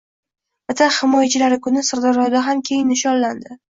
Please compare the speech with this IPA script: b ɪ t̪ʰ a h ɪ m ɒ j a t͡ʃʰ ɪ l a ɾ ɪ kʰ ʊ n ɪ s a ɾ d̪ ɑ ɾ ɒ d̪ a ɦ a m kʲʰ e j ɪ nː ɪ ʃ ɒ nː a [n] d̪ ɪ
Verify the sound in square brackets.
correct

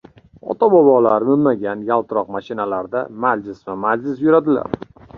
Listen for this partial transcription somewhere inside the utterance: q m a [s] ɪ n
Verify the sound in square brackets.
incorrect: ʃ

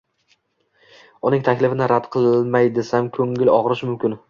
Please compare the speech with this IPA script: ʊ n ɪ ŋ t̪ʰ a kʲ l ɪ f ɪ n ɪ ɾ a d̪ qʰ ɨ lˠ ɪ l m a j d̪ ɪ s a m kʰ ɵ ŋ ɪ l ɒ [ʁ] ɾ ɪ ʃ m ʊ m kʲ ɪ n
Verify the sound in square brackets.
correct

